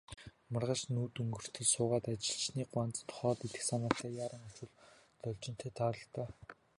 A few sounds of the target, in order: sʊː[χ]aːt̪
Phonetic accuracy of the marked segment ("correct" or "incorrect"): incorrect